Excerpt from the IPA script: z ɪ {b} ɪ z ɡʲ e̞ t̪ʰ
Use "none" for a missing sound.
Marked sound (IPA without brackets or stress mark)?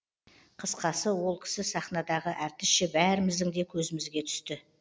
m